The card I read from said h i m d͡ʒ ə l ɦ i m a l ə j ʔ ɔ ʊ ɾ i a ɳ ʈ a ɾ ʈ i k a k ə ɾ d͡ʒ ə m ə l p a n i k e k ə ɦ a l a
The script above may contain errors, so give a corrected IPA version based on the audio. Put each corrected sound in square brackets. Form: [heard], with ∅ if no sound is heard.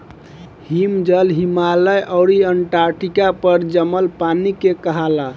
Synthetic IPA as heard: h i m d͡ʒ ə l ɦ i m a l ə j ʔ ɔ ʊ ɾ i [ə] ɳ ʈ a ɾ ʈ i k a [p] ə ɾ d͡ʒ ə m ə l p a n i k e k ə ɦ a l a